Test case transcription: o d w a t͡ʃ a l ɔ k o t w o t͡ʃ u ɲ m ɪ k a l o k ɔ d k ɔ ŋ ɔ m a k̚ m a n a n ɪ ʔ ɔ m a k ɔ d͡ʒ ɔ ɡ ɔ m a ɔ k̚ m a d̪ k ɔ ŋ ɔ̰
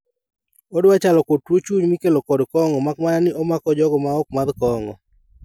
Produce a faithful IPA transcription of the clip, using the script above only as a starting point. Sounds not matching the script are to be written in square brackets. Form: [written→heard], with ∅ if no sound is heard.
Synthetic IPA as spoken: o d w a t͡ʃ a l ɔ k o t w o t͡ʃ u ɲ m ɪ k [a→e] l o k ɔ d k ɔ ŋ ɔ m a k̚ m a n a n ɪ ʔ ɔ m a k ɔ d͡ʒ ɔ ɡ ɔ m a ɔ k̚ m a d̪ k ɔ ŋ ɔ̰